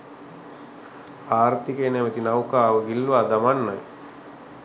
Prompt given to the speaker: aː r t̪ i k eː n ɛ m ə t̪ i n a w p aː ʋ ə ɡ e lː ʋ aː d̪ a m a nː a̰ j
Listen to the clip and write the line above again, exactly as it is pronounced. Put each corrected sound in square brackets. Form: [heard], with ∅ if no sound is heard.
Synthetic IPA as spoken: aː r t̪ i k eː n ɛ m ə t̪ i n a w [k] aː ʋ ə ɡ [i] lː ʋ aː d̪ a m a nː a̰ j